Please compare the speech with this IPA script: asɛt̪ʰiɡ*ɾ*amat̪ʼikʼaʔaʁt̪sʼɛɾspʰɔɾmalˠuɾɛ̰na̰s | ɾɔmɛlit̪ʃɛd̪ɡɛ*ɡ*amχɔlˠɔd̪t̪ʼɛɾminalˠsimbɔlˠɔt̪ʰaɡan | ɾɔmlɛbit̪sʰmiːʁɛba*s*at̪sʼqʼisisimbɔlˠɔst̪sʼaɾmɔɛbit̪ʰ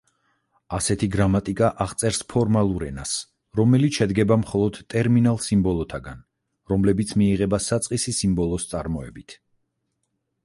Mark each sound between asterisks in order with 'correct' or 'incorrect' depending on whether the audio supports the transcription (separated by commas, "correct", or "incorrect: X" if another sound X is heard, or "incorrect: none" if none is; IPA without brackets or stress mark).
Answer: correct, incorrect: b, correct